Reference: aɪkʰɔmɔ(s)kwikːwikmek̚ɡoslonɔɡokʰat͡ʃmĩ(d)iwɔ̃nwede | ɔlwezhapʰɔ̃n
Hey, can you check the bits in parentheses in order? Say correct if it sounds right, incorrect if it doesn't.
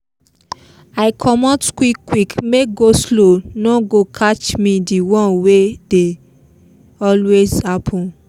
incorrect, correct

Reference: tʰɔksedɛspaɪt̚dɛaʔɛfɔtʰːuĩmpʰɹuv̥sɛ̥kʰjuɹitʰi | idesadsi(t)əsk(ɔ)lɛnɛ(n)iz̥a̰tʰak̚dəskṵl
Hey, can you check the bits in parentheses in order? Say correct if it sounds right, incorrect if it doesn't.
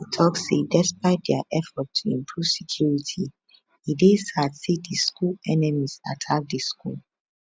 incorrect, incorrect, incorrect

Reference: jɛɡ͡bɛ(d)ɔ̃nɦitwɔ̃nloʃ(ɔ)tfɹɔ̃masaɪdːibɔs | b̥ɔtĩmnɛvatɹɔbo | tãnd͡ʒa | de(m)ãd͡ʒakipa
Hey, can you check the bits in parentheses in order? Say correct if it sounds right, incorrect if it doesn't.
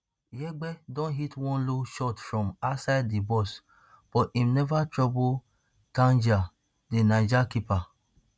correct, correct, incorrect

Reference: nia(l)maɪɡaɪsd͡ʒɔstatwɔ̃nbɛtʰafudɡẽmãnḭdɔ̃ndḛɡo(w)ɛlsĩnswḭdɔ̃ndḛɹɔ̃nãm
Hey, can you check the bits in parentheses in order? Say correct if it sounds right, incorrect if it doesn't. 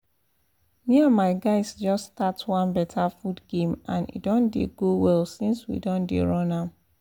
incorrect, correct

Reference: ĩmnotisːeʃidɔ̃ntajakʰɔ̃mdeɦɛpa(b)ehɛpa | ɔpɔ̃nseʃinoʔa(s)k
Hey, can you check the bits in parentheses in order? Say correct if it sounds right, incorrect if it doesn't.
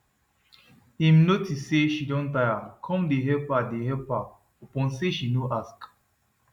incorrect, correct

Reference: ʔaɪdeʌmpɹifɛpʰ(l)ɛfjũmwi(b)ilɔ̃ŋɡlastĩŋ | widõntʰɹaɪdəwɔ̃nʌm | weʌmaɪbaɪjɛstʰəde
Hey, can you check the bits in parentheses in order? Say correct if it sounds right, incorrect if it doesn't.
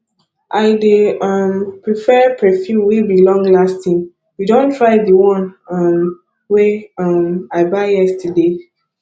incorrect, correct

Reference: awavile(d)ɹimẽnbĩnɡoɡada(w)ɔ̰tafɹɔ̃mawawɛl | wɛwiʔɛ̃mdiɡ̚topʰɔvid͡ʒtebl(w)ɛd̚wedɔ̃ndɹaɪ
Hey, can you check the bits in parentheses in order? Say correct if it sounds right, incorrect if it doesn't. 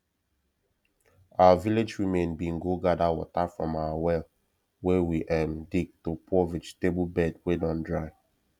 incorrect, correct, incorrect

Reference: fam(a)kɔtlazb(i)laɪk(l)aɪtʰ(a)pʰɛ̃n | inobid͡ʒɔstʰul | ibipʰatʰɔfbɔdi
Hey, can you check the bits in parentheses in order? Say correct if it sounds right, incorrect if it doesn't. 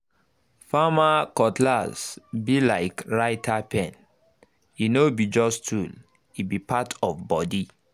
correct, correct, incorrect, correct

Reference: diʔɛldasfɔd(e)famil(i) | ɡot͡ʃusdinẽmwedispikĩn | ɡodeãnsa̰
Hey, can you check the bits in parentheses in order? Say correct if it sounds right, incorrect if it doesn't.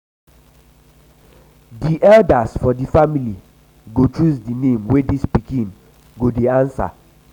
incorrect, correct

